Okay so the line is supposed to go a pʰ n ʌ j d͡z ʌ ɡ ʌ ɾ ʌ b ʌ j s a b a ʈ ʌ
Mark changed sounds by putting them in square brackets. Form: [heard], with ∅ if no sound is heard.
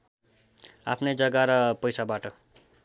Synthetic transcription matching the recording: a pʰ n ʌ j d͡z ʌ ɡ [a] ɾ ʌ [p] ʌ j s a b a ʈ ʌ